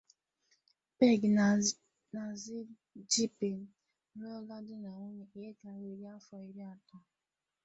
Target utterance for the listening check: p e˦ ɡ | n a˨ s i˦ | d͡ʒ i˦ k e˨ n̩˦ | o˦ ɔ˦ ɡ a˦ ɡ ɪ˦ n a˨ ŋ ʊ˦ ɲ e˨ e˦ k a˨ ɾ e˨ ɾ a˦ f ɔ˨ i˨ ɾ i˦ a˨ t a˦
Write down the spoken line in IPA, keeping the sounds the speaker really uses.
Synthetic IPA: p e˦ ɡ | n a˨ z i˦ | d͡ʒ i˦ p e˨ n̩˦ | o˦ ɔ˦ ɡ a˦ d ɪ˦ n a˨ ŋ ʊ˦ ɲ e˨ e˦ k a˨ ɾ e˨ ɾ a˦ f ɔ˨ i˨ ɾ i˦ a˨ t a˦